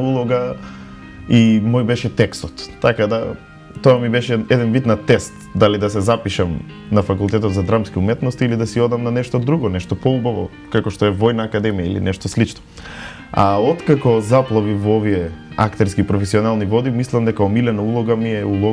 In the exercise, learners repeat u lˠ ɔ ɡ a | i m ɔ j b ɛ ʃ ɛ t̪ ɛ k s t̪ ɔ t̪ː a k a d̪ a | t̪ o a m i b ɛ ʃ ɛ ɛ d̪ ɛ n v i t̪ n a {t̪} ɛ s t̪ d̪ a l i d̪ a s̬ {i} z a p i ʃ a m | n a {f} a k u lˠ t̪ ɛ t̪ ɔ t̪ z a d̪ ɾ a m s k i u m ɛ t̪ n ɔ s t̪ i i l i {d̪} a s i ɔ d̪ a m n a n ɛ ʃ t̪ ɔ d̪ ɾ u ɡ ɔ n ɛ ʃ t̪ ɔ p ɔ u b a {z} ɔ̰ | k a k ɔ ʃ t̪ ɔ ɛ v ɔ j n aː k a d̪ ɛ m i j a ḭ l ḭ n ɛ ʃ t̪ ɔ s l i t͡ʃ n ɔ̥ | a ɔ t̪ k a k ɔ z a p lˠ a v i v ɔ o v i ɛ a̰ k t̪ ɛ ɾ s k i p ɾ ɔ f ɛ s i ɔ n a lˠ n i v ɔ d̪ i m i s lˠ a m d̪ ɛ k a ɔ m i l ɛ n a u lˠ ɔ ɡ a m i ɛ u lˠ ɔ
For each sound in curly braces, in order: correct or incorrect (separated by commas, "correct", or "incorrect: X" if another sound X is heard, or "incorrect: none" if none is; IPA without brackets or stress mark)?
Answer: correct, incorrect: ɛ, correct, correct, incorrect: v